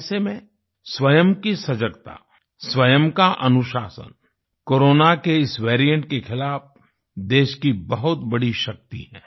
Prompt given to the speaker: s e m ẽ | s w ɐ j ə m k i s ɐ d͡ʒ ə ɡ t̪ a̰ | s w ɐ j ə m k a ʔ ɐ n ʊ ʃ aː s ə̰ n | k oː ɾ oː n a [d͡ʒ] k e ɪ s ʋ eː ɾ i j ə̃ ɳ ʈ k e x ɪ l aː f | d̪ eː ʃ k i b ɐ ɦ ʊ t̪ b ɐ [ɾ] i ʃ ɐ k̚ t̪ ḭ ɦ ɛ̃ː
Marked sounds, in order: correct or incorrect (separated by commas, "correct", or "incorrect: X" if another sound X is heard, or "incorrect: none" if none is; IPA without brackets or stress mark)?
incorrect: none, incorrect: ɽ